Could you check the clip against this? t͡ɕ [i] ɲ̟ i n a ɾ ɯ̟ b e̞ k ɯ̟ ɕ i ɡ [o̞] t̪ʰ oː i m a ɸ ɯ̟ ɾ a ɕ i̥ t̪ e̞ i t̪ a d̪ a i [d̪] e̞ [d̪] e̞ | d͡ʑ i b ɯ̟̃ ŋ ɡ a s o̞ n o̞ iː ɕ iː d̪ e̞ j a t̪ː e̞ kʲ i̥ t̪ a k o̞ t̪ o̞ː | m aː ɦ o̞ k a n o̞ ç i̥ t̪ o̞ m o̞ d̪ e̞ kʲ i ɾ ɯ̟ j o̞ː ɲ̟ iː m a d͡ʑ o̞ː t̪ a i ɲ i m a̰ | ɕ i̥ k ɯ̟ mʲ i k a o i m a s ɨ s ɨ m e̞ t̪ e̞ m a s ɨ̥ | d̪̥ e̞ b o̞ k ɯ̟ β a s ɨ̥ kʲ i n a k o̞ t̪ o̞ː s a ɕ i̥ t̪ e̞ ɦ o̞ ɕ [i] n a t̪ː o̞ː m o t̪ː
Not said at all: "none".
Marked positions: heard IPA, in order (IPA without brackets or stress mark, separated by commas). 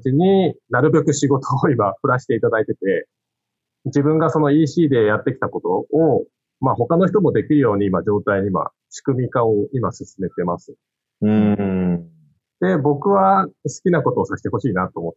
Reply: i, o̞, t̪, t̪, iː